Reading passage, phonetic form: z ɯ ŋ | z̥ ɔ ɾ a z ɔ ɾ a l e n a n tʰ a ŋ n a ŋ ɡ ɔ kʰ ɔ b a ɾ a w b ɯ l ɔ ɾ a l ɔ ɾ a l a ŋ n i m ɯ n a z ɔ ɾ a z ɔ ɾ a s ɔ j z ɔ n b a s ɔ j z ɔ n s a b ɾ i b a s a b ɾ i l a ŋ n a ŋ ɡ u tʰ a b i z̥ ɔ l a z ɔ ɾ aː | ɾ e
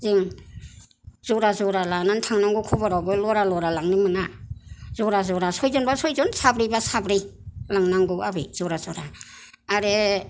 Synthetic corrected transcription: z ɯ ŋ | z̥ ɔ ɾ a z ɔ ɾ a l a n a n tʰ a ŋ n a ŋ ɡ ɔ kʰ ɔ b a ɾ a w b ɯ l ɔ ɾ a l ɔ ɾ a l a ŋ n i m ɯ n a z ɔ ɾ a z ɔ ɾ a s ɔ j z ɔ n b a s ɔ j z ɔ n s a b ɾ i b a s a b ɾ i l a ŋ n a ŋ ɡ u a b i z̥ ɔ ɾ a z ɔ ɾ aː | ɾ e